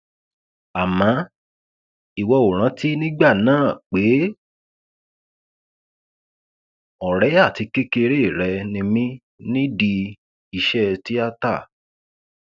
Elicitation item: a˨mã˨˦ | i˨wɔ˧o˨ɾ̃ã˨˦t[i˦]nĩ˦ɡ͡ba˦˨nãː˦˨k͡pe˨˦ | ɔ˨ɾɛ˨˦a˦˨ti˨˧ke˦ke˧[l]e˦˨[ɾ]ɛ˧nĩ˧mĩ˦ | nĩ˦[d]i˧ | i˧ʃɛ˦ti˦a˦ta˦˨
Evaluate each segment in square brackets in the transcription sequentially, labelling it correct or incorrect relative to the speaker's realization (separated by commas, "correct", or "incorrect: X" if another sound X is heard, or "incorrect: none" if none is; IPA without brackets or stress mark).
correct, incorrect: ɾ, correct, correct